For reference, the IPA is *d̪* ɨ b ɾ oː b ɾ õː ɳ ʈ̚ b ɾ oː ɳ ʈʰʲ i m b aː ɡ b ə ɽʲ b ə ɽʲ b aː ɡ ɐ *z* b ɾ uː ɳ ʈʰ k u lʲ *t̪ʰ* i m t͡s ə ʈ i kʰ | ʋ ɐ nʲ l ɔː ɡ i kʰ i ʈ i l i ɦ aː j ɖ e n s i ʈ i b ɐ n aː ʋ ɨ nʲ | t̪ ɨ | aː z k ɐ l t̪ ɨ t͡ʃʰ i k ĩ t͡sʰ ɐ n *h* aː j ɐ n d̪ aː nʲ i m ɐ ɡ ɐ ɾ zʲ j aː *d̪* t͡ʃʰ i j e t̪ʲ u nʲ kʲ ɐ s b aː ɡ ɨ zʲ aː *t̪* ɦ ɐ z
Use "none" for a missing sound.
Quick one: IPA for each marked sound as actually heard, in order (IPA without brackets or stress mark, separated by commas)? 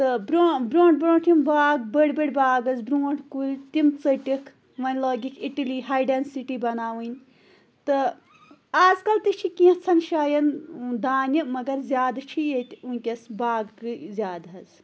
t̪, z, t̪, ʃ, d̪, d̪